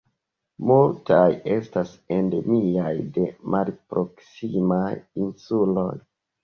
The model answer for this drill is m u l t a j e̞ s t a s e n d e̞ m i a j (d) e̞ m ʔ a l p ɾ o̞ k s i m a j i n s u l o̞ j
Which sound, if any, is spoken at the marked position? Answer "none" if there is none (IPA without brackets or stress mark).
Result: d